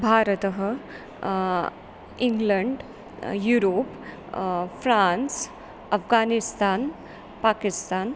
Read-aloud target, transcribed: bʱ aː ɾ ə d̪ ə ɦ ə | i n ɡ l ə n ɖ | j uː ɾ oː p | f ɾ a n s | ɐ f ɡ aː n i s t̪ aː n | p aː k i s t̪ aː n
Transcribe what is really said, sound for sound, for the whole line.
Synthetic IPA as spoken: bʱ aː ɾ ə t̪ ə ɦ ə | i ŋ ɡ l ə ɳ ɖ | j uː ɾ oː p | f ɾ a n s | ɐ f ɡ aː n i s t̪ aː n | p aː k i s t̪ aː n